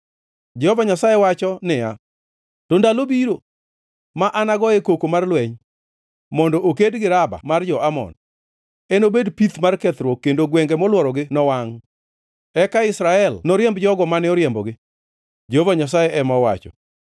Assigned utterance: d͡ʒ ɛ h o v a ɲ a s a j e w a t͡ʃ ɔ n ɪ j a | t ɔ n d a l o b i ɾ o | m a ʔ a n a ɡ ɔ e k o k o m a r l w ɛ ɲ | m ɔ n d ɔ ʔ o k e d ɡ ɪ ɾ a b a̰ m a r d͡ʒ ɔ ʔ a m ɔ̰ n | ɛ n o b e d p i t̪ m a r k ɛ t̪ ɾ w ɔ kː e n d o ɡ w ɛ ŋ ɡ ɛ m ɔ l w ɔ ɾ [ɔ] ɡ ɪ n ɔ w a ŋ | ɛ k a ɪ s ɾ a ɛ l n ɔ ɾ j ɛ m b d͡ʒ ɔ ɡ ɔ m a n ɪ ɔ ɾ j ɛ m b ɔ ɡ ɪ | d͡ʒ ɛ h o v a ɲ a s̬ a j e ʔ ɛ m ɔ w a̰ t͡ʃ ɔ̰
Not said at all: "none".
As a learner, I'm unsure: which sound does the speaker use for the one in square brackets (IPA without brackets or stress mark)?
ɔ